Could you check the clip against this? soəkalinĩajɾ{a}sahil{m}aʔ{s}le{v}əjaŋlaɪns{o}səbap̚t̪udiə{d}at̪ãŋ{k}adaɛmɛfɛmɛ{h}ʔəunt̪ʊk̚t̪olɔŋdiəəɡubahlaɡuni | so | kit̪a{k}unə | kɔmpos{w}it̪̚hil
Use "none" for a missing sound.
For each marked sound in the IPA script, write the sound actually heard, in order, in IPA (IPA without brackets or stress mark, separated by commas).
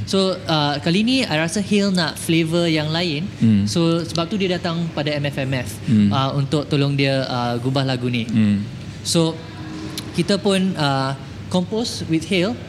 a, n, f, v, o, d, p, f, p, w